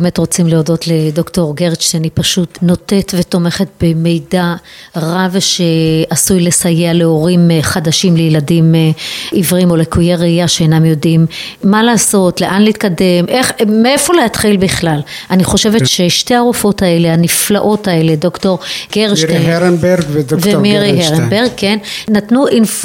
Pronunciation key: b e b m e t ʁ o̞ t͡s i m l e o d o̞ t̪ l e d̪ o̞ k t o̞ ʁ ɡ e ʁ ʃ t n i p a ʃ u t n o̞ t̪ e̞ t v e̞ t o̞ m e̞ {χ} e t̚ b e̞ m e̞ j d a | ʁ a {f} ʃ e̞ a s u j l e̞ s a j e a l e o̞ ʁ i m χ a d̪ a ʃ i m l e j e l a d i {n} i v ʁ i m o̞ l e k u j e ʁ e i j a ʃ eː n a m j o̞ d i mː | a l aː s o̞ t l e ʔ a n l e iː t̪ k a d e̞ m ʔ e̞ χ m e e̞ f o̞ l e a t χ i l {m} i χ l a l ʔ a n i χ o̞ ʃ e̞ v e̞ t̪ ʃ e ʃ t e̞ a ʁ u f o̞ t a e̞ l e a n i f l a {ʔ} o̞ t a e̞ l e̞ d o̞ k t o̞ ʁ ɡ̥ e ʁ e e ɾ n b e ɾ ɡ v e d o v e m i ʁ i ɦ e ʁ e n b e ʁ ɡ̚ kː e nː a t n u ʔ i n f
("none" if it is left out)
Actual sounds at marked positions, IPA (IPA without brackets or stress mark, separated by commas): χ, v, m, b, ʔ